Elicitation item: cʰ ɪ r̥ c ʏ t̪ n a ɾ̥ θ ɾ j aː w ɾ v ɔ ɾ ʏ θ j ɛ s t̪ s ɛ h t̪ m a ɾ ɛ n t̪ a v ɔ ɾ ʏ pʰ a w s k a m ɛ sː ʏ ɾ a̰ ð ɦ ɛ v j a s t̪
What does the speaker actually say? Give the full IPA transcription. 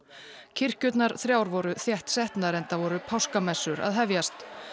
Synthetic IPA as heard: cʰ ɪ r̥ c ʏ t̪ n a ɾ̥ θ ɾ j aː w ɾ v ɔ ɾ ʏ θ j ɛ h t̪ s ɛ h t̪ n a ɾ ɛ n t̪ a v ɔ ɾ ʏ pʰ a w s k a m ɛ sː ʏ ɾ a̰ ð ɦ ɛ v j a s t̪

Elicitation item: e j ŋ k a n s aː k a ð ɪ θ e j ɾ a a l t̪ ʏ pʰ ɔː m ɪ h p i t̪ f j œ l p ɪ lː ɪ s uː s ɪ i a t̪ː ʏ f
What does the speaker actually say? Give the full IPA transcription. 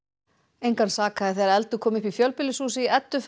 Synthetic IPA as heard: e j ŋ k a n s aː k a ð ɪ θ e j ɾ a ɛ l t̪ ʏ kʰ ɔː m ɪ h p i f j œ l p ɪ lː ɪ s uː s ɪ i ɛ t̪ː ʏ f

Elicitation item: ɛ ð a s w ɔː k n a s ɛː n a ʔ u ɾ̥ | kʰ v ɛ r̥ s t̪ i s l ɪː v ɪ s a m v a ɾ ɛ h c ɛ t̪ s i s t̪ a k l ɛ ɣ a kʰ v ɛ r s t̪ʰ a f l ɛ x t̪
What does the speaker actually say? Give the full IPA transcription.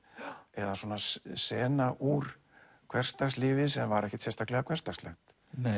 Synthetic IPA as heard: ɛ ð a s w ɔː n a s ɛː n a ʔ u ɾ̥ | kʰ v ɛ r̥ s t̪ a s l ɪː v ɪ s ɛ m v a ɾ ɛ h c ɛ t̪ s ɛ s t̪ a k l ɛ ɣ a kʰ v ɛ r s t̪ a s l ɛ x t̪

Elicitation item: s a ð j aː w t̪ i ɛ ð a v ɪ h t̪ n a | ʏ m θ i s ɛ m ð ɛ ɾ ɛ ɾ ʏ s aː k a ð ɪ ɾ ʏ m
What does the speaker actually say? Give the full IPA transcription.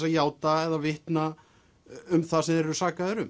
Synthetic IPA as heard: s a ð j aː w t̪ a ɛ ð a v ɪ h t̪ n a | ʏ m θ a s ɛ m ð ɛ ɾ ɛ ɾ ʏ s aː k a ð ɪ ɾ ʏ m

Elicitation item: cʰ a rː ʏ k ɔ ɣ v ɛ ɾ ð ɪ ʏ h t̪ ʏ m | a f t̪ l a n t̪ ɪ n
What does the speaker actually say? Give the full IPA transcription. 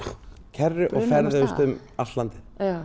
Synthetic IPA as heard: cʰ ɛ rː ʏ ʔ ɔ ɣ f ɛ ɾ ð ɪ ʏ s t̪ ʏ m | a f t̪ l a n t̪ ɪ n

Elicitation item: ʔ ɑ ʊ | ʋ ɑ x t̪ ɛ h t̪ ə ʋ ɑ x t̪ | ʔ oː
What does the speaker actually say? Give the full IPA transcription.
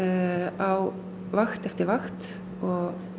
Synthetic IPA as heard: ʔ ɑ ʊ | ʋ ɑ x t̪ ɛ f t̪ ə ʋ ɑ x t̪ | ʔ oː

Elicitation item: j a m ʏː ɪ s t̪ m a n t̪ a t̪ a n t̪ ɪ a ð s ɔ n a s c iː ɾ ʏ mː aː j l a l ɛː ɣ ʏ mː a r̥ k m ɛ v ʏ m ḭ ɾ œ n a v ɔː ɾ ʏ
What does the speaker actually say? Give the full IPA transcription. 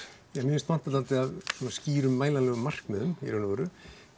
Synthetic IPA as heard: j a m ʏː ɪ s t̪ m a n t̪ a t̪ a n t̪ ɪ a ð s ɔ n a s c iː ɾ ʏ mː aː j l a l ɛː ɣ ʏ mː a r̥ k m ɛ ð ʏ m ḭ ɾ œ n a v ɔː ɾ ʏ

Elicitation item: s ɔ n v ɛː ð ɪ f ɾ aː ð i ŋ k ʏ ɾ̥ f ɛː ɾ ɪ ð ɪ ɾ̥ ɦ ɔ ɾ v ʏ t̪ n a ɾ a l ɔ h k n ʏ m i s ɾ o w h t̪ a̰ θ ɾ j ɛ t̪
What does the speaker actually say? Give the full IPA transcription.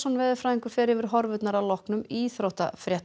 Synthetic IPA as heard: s ɔ n v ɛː ð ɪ f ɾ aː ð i ŋ k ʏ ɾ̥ f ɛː ɾ ɪ v ɪ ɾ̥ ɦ ɔ ɾ v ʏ t̪ n a ɾ a l ɔ h k n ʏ m i θ ɾ o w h t̪ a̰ f ɾ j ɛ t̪

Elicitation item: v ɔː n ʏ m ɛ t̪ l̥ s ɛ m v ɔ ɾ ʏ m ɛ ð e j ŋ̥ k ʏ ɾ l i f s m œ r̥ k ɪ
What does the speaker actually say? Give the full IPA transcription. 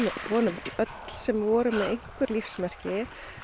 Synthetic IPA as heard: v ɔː n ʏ m œ t̪ l̥ s ɛ m v ɔː ɾ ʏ m ɛ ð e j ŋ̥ k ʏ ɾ l i f s m ɛ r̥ c ɪ

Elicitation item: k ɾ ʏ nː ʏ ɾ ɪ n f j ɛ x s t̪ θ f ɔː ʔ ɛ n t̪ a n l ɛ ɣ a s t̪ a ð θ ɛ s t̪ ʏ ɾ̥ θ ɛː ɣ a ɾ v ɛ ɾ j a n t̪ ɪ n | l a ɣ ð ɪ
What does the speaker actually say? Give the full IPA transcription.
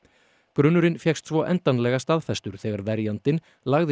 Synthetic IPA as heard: k ɾ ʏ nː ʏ ɾ ɪ n f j ɛ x s t̪ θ v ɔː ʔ ɛ n t̪ a n l ɛ ɣ a s t̪ a ð f ɛ s t̪ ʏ ɾ̥ θ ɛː ɣ a ɾ v ɛ ɾ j a n t̪ ɪ n | l a ɣ ð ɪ

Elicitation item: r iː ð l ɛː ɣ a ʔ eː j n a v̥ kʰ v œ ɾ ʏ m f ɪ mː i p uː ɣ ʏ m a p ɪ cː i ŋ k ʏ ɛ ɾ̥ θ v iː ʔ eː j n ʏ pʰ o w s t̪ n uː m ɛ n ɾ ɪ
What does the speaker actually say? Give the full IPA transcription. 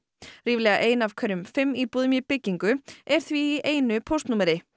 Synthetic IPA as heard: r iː v l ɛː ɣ a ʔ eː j n a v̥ kʰ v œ ɾ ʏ m f ɪ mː i p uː ð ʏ m i p ɪ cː i ŋ k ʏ ɛ ɾ̥ θ v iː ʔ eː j n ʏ pʰ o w s t̪ n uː m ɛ ɾ ɪ

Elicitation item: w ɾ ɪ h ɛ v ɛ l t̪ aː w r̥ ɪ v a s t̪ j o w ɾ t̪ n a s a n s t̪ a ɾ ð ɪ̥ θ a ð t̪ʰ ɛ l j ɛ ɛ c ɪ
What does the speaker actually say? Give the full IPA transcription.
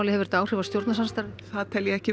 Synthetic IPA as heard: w l ɪ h ɛ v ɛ ɾ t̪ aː w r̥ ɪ v a s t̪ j o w ɾ t̪ n a s a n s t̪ a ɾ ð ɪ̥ θ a ð t̪ʰ ɛ l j ɛ ɛ c ɪ

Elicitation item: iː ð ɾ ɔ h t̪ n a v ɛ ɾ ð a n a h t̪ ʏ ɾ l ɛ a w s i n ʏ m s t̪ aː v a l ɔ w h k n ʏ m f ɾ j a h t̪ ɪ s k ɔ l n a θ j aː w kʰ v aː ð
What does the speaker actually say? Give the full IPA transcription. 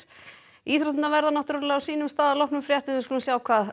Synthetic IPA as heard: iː θ ɾ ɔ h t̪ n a v ɛ ɾ ð a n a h t̪ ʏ ɾ l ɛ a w s iː n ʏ m s t̪ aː ð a l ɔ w h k n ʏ m f ɾ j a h t̪ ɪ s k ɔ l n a s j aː w kʰ v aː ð

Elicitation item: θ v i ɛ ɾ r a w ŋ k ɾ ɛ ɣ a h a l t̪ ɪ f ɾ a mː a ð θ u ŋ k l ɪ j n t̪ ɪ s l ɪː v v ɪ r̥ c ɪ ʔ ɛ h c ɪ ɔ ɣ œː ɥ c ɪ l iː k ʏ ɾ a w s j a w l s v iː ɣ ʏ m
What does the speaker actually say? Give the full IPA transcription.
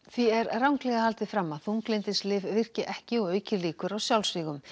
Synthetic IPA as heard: θ v i ɛ ɾ r a w ŋ k l ɛ ɣ a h a l t̪ ɪ f ɾ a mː a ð θ u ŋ k l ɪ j n t̪ ɪ s l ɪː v v ɪ r̥ c ɪ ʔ ɛ h c ɪ ɔ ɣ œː ɥ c ɪ l iː k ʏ ɾ a w s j a w l s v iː ɣ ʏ m

